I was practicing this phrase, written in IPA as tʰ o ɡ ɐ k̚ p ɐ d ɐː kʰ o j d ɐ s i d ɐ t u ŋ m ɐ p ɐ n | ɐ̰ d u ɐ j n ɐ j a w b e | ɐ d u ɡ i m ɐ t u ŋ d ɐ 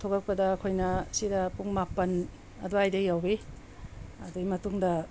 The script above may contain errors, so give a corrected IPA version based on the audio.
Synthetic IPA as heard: tʰ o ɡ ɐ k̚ p ɐ d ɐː kʰ o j n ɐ s i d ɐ p u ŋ m a p ɐ n | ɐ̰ d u a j d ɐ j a w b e | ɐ d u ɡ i m ɐ t u ŋ d ɐ